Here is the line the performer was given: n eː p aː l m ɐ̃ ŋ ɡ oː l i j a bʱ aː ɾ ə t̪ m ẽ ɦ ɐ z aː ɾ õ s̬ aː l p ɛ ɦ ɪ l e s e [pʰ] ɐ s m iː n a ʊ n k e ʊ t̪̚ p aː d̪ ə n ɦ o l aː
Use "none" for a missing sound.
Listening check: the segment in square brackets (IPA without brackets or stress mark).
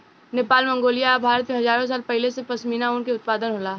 p